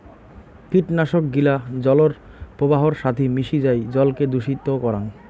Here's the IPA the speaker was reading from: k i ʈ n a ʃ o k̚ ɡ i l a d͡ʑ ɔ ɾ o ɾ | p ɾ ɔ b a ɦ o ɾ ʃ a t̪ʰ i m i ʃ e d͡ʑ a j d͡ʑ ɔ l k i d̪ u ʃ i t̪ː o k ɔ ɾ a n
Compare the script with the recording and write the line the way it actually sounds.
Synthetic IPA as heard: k i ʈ n a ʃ o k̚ ɡ i l a d͡ʑ ɔ l o ɾ | p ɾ o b a ɦ o ɾ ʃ a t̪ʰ i m i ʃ i d͡ʑ a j d͡ʑ ɔ l k e d̪ u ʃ i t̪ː o k ɔ ɾ a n